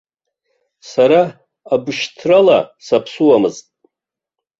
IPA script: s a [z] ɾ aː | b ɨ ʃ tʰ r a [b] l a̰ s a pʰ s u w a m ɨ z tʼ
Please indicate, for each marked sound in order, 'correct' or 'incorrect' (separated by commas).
incorrect, incorrect